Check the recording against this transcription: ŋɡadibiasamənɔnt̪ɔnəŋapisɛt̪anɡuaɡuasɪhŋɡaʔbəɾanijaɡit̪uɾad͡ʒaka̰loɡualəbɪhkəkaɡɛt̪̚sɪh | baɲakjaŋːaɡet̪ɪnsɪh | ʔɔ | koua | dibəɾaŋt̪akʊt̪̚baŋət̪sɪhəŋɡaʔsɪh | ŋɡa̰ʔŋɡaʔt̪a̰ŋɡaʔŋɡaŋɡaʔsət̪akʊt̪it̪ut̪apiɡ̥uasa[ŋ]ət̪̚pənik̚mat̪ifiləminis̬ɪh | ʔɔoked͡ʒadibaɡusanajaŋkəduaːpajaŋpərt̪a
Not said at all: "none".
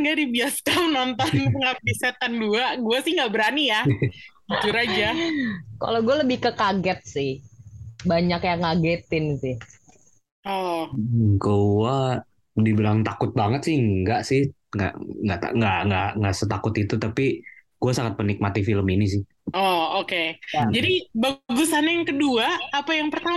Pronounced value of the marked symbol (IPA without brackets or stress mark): ŋ